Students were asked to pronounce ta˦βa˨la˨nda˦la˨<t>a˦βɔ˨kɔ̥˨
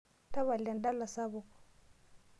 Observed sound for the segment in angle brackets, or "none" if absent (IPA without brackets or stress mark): s